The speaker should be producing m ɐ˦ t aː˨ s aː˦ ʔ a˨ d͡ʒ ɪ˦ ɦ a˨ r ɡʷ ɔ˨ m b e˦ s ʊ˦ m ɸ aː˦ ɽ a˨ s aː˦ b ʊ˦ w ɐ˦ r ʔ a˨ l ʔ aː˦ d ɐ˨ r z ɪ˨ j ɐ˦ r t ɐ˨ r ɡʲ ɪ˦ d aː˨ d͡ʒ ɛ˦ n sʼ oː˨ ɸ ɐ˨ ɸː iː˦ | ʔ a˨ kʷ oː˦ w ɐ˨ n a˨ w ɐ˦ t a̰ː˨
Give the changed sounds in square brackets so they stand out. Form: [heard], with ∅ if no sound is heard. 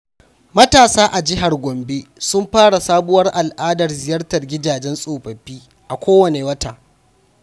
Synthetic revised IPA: m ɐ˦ t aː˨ s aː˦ ʔ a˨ d͡ʒ ɪ˦ ɦ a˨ r ɡʷ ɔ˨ m b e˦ s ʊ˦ m ɸ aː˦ ɽ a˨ s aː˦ b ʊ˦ w ɐ˦ r ʔ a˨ l ʔ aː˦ d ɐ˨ r z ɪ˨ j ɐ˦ r t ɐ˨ r ɡʲ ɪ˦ d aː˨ d͡ʒ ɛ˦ n sʼ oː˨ ɸ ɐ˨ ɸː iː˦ | ʔ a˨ kʷ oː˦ w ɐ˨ n [e˨] w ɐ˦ t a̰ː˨